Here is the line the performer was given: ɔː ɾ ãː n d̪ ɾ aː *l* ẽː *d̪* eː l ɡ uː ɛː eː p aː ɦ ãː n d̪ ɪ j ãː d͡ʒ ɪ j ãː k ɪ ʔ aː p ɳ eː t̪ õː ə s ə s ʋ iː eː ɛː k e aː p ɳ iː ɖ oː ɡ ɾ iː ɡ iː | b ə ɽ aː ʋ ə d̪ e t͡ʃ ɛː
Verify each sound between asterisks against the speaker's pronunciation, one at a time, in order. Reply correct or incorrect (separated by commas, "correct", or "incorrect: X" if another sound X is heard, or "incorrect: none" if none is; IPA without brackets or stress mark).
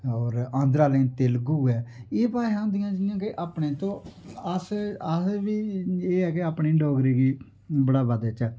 correct, incorrect: t̪